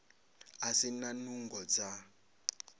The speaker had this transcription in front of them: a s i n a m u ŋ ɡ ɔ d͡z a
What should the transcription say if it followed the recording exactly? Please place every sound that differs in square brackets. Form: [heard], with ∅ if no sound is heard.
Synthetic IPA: a s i n a [n] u ŋ ɡ ɔ d͡z a